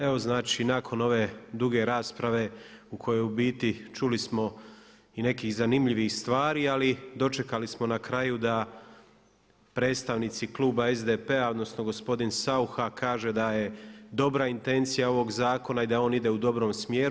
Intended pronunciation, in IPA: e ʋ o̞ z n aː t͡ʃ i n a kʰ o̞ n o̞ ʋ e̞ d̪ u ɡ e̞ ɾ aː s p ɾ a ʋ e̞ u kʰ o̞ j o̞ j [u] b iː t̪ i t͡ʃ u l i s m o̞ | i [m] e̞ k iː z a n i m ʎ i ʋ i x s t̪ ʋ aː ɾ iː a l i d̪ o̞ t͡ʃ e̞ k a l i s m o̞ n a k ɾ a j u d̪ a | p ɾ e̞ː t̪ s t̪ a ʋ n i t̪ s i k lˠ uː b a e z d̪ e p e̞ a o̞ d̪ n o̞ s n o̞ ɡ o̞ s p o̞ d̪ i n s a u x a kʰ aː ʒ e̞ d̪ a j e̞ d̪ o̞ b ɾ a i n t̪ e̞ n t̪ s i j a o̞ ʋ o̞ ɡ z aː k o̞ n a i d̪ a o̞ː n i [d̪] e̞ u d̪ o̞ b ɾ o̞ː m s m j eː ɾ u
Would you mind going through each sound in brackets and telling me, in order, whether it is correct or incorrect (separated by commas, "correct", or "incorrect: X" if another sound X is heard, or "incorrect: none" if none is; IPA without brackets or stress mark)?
correct, incorrect: n, correct